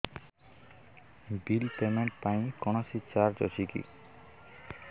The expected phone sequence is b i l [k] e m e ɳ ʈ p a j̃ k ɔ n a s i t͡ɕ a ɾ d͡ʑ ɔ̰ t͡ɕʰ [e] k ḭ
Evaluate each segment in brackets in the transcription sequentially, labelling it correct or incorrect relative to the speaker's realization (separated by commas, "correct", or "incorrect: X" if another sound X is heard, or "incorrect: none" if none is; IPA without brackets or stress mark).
incorrect: p, incorrect: i